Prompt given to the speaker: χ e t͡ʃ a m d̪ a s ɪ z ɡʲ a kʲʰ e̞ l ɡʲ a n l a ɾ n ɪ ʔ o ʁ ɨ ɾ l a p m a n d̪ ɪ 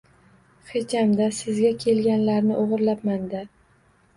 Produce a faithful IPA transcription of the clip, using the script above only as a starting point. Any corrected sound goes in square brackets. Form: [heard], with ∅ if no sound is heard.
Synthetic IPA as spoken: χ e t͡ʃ a m d̪ a s ɪ z ɡʲ a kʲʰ e̞ l ɡʲ a n l a ɾ n ɪ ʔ o ʁ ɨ ɾ l a p m a n d̪ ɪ